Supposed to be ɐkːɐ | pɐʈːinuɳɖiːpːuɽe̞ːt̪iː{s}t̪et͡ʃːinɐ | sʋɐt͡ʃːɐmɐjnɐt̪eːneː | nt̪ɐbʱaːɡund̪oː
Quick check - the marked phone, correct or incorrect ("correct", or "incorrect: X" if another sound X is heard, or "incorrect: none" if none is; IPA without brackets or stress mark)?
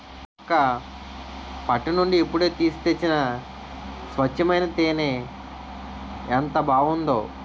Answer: correct